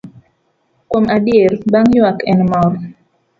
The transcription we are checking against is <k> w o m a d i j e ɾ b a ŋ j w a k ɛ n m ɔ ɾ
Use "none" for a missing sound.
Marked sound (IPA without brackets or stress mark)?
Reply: k